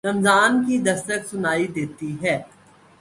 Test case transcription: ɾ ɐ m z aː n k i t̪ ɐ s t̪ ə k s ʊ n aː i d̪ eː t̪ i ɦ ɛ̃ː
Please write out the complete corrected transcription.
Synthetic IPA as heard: ɾ ɐ m z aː n k i d̪ ɐ s t̪ ə k s ʊ n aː i d̪ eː t̪ i ɦ ɛː